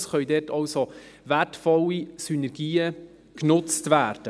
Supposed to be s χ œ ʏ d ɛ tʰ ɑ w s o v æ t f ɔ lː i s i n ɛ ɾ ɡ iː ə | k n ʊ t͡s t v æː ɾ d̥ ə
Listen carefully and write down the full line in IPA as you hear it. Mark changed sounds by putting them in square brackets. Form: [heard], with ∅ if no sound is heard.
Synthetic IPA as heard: s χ œ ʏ d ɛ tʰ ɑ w s o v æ t f ɔ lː i s [y] n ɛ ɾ ɡ iː ə | k n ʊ t͡s t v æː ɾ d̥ ə